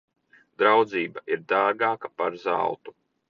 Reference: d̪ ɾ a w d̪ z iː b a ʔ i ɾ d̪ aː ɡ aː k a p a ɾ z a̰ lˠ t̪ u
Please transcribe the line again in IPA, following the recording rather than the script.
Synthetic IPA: d̪ ɾ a w d̪ z iː b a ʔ i ɾ d̪ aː ɡ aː k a p a ɾ z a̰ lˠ t̪ u